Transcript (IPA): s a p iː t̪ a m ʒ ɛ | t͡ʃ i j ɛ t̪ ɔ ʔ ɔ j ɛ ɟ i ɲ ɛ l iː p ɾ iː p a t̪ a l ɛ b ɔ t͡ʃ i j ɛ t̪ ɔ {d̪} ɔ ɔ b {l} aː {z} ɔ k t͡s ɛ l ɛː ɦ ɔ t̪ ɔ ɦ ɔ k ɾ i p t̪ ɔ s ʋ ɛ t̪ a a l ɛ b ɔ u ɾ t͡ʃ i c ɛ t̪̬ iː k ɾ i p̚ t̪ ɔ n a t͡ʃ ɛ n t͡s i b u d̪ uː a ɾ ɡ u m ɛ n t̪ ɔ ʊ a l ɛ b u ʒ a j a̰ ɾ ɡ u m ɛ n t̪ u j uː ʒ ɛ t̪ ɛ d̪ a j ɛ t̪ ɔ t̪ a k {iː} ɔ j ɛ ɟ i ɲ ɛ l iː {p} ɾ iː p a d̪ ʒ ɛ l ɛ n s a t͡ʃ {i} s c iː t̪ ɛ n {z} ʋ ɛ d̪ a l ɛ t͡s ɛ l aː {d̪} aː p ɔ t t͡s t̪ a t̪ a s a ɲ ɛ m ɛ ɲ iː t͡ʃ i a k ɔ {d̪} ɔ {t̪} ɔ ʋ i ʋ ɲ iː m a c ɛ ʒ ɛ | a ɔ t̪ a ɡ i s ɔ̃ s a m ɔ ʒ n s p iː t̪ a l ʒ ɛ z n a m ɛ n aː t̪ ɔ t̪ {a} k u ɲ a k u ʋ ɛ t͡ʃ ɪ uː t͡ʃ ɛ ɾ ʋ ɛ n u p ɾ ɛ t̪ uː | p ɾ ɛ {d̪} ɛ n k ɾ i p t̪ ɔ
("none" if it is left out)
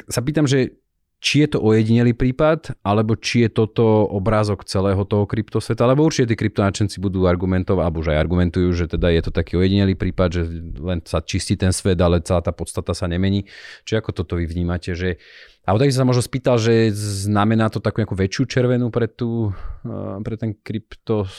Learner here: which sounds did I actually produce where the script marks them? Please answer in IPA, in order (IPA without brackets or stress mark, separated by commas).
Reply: t̪, ɾ, z, iː, p, i, s, t̪, t̪, t̪, a, t̪